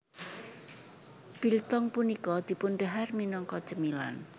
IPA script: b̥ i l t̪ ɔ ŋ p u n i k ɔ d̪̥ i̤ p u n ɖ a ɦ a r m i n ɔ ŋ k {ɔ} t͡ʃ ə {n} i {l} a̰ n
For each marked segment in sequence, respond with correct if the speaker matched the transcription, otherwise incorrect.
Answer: correct, incorrect, correct

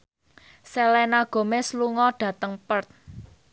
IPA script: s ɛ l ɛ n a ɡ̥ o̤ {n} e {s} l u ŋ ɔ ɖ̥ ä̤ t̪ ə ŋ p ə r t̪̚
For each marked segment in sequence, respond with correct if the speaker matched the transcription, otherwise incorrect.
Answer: incorrect, correct

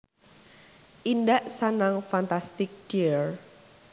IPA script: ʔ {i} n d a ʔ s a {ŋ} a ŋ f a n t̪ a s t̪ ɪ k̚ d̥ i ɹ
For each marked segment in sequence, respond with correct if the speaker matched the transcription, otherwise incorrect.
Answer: correct, incorrect

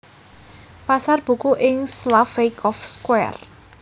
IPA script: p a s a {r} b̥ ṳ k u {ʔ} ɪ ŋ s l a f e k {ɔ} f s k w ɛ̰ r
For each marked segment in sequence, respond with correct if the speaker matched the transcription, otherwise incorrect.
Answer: correct, correct, correct

